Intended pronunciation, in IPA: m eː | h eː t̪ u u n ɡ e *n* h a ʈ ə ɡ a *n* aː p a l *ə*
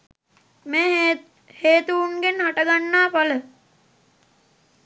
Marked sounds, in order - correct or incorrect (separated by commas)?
correct, incorrect, correct